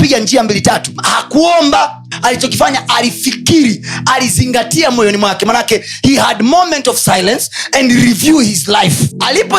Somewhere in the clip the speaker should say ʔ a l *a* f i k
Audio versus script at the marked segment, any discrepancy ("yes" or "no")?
yes